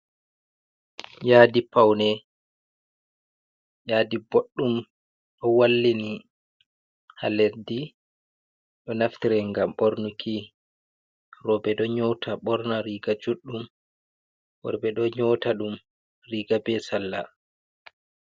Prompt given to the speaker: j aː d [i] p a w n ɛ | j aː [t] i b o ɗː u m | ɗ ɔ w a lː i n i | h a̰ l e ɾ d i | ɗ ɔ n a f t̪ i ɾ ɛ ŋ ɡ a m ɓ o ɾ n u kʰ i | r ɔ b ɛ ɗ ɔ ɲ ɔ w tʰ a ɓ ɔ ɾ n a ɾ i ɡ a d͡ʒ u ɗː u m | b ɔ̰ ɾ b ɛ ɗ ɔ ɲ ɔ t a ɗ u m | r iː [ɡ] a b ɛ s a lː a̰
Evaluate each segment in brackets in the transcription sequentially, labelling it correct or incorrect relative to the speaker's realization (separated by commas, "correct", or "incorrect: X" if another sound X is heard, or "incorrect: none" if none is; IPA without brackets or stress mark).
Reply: correct, incorrect: d, correct